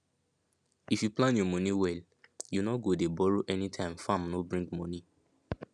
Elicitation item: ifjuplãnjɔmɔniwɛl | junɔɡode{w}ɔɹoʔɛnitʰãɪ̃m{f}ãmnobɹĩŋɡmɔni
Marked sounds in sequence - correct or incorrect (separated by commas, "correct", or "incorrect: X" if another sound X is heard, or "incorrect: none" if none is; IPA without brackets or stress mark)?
incorrect: b, correct